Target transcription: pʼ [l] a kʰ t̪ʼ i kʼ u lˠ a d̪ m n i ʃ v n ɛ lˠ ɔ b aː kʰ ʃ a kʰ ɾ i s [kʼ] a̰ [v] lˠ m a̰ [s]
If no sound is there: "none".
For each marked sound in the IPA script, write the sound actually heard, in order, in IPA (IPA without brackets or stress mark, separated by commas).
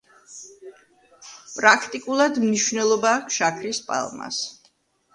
ɾ, pʼ, none, s